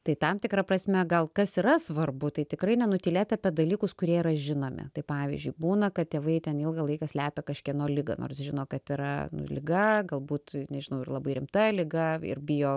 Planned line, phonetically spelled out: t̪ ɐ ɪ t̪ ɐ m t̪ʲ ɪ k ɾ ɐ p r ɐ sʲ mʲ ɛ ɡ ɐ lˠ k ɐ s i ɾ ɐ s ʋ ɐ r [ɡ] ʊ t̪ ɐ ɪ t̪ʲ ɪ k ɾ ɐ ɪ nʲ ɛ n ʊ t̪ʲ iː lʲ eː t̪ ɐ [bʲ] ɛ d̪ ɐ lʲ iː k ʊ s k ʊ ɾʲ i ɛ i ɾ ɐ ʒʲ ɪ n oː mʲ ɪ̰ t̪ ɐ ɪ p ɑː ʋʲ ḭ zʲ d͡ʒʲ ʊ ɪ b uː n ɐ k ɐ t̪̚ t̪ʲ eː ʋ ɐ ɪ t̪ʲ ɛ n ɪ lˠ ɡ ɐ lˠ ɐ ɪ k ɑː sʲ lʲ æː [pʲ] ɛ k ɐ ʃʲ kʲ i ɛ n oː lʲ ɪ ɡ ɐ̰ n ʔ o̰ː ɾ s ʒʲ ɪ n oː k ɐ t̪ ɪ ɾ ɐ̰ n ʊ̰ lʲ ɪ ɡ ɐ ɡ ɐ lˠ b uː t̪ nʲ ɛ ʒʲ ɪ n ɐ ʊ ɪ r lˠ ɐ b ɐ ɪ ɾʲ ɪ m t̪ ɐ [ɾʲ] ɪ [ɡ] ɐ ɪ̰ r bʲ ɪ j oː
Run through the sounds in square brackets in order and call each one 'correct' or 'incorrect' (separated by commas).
incorrect, incorrect, correct, incorrect, correct